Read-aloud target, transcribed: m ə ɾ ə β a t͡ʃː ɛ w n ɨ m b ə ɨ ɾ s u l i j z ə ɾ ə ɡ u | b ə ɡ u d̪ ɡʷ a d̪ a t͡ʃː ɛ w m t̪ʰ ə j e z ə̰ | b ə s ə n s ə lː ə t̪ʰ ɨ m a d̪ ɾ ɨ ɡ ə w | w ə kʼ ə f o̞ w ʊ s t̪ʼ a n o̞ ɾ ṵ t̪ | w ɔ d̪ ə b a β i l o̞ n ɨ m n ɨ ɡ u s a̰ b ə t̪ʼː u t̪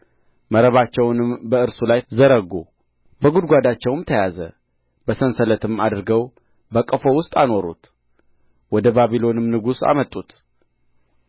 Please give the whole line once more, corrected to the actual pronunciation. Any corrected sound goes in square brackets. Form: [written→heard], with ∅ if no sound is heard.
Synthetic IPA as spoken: m ə ɾ ə β a t͡ʃː ɛ w n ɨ m b ə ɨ ɾ s u l [i→a] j z ə ɾ ə ɡ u | b ə ɡ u d̪ ɡʷ a d̪ a t͡ʃː ɛ w m t̪ʰ ə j [e→a] z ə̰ | b ə s ə n s ə [lː→l] ə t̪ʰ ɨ m a d̪ ɾ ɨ ɡ ə w | [w→b] ə kʼ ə f o̞ w ʊ s t̪ʼ a n o̞ ɾ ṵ t̪ | w ɔ d̪ ə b a β i l o̞ n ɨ m n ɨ ɡ u s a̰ [b→m] ə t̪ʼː u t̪